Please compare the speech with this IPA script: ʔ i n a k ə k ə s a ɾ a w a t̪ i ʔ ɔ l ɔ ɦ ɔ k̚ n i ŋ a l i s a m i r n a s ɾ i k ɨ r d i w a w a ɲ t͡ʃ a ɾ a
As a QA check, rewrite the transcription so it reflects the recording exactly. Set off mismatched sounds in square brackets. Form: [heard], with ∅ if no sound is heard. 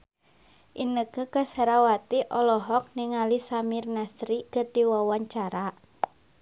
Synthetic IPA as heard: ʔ i n [ə] k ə k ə s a ɾ a w a t̪ i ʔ ɔ l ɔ ɦ ɔ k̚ n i ŋ a l i s a m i r n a s ɾ i k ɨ r d i w a w a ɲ t͡ʃ a ɾ a